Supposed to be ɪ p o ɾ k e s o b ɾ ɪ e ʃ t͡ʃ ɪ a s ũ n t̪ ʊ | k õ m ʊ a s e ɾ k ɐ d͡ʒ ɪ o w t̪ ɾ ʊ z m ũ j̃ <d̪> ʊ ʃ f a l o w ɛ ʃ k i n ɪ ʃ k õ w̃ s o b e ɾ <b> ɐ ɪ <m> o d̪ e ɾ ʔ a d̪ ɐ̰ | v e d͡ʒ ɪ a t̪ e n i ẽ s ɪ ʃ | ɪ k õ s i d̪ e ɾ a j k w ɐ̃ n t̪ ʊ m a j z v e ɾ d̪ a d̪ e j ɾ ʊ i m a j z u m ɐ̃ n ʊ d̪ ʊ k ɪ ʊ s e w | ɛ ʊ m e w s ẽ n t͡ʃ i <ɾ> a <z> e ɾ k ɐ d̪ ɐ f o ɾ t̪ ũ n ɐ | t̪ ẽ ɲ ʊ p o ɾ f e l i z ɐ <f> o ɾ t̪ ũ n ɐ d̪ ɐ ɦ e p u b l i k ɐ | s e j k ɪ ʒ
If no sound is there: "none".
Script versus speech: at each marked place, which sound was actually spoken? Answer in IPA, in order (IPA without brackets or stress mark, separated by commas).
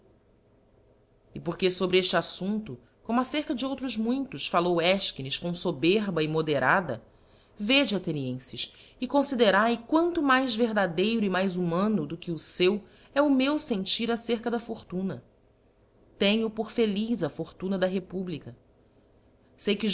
t̪, b, m, ɾ, s, f